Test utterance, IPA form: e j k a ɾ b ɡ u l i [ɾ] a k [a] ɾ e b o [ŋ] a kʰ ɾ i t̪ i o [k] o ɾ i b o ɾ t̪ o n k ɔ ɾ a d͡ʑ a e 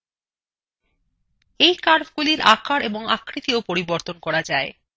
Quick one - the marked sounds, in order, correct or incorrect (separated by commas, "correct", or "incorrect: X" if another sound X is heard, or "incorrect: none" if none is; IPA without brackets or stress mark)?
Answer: correct, correct, correct, incorrect: p